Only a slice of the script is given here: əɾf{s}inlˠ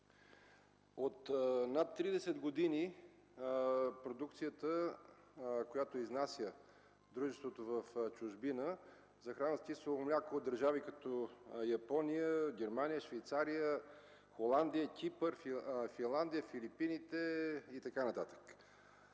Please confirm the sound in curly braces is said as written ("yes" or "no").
no